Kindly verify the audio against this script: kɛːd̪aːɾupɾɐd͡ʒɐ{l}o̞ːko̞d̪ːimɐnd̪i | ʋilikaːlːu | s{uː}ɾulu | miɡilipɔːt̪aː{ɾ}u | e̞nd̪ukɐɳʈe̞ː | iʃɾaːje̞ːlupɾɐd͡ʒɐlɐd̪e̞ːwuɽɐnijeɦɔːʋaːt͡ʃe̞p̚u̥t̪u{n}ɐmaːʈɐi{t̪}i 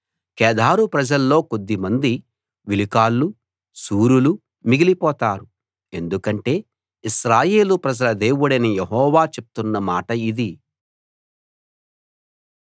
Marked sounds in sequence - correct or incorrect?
incorrect: lː, correct, correct, incorrect: nː, incorrect: d̪

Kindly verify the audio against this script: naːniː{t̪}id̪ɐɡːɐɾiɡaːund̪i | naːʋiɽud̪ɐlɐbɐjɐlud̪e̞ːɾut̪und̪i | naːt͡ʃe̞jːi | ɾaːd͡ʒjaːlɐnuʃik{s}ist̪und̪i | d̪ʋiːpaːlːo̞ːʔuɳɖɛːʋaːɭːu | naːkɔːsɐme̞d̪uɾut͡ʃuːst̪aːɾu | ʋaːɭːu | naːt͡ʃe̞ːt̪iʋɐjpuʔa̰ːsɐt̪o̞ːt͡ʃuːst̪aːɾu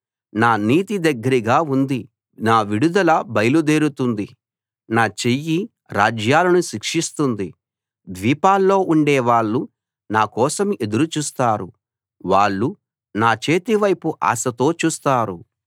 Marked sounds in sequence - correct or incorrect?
correct, incorrect: ʂ

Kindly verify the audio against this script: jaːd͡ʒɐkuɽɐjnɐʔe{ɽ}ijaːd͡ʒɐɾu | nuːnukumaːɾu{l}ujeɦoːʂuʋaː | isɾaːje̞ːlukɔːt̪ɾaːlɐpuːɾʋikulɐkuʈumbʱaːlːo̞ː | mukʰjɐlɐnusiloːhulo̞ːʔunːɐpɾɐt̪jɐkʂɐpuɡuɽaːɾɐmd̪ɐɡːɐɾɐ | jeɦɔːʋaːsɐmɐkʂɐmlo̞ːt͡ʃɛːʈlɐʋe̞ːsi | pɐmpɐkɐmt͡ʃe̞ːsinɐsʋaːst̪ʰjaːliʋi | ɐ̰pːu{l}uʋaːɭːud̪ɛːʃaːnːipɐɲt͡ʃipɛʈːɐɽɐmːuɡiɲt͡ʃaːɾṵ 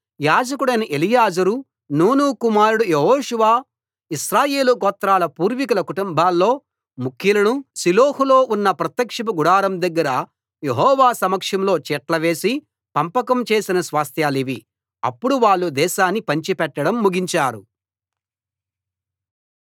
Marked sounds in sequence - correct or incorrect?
incorrect: l, incorrect: ɽ, incorrect: ɽ

